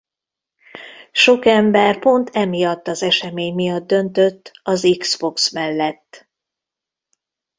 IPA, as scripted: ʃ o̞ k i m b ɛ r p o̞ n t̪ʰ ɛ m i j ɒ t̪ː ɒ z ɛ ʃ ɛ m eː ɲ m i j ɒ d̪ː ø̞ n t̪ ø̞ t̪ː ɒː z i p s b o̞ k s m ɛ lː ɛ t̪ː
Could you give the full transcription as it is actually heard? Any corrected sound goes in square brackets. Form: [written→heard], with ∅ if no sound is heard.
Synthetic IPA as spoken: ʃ o̞ k [i→ɛ] m b ɛ r p o̞ n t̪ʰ ɛ m i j ɒ t̪ː ɒ z ɛ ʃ ɛ m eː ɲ m i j ɒ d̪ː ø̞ n t̪ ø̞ t̪ː [ɒː→ɒ] z i [p→k] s b o̞ k s m ɛ lː ɛ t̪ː